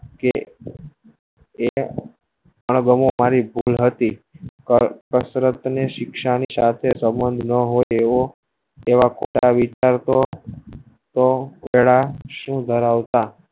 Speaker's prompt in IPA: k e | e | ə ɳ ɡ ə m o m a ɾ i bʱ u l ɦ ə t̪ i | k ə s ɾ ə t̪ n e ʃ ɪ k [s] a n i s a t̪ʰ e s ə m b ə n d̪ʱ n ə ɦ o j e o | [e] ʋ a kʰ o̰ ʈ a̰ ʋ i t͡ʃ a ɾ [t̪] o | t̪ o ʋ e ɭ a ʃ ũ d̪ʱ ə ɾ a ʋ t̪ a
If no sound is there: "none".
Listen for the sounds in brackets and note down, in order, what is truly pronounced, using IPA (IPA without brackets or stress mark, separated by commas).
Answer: ʃ, e, t̪